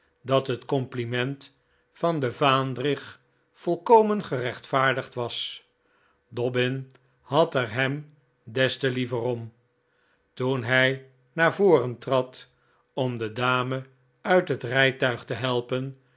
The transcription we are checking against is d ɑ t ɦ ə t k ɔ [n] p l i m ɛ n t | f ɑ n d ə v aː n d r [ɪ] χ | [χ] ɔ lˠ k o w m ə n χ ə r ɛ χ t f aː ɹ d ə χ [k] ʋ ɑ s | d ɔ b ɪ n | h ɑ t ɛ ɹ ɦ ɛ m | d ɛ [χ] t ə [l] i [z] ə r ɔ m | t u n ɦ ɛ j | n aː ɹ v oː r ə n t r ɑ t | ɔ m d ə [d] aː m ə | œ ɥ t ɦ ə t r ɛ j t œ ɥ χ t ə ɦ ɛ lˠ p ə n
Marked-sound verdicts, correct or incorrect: incorrect: m, correct, incorrect: f, incorrect: t, incorrect: s, correct, incorrect: v, correct

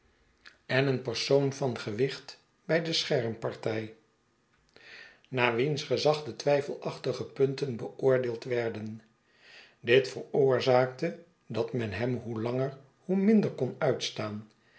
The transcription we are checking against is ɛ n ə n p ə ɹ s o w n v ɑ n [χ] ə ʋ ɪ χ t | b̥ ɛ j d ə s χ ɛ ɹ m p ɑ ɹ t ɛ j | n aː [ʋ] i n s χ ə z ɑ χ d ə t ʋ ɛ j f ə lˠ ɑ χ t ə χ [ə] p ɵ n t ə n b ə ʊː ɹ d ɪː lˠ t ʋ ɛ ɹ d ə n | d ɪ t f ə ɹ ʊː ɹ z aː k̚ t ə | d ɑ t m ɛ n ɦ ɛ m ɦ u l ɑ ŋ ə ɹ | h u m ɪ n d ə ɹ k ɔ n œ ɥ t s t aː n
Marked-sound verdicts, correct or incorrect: correct, correct, correct

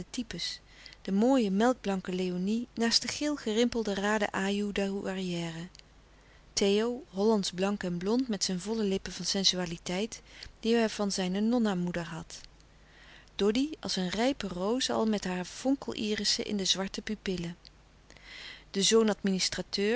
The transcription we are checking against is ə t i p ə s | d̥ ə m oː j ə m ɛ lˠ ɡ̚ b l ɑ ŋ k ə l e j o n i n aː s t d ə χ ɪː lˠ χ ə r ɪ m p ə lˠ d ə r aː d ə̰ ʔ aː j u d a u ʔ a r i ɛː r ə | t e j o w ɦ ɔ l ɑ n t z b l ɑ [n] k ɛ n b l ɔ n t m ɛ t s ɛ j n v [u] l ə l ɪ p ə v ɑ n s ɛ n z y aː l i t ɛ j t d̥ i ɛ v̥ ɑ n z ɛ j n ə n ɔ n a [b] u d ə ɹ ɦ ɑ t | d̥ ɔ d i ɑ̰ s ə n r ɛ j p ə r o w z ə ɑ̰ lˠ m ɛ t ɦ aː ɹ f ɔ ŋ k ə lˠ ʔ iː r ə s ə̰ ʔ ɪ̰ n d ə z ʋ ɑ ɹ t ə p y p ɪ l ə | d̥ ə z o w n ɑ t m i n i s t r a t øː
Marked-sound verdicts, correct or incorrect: incorrect: ŋ, incorrect: ɔ, incorrect: m

